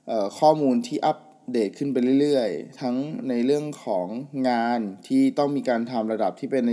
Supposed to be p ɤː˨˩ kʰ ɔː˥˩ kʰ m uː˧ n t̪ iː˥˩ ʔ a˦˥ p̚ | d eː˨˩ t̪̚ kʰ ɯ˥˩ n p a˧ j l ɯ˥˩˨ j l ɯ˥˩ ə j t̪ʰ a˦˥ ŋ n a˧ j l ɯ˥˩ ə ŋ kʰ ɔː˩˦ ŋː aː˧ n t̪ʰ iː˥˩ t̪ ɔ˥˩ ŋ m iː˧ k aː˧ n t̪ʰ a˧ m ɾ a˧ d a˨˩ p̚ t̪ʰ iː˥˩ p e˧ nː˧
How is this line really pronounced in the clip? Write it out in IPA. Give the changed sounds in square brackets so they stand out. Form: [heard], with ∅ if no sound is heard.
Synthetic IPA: [ʔ] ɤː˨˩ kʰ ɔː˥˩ [∅] m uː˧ n [t̪ʰ] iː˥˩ ʔ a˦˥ p̚ | d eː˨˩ t̪̚ kʰ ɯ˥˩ n p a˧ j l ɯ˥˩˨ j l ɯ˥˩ ə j t̪ʰ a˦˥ ŋ n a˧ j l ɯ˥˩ ə ŋ kʰ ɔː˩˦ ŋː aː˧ n t̪ʰ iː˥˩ t̪ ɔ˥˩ ŋ m iː˧ k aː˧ n t̪ʰ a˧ m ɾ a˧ d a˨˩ p̚ t̪ʰ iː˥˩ p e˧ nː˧